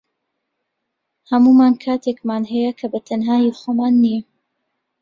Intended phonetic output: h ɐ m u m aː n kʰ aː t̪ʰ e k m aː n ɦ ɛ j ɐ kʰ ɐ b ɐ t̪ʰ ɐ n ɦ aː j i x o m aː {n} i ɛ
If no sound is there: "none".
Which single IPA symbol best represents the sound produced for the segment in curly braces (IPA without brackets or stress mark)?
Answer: nː